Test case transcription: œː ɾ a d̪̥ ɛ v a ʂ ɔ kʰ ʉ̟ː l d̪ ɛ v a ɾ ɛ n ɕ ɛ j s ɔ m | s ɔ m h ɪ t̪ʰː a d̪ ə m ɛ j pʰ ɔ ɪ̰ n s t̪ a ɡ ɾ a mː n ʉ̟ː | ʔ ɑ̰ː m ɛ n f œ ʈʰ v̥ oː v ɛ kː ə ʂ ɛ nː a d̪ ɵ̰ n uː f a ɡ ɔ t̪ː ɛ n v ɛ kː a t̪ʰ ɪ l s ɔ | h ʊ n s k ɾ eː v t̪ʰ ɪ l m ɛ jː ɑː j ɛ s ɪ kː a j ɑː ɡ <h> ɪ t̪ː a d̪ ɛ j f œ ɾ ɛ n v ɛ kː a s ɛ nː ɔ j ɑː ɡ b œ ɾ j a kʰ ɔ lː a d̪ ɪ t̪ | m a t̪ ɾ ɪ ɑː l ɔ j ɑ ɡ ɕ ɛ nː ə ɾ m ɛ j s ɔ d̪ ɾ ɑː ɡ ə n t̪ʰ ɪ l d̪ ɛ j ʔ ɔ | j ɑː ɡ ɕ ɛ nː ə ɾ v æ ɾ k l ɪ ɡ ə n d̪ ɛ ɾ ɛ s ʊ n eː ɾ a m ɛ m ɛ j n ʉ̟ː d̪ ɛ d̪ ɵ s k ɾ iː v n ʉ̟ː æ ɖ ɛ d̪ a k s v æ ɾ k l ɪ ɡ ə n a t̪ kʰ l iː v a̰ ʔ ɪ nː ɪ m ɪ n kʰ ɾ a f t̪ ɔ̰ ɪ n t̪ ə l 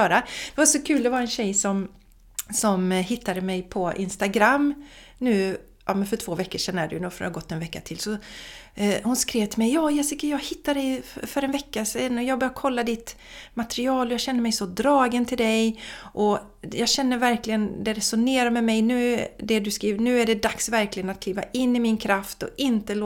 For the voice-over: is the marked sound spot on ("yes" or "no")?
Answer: yes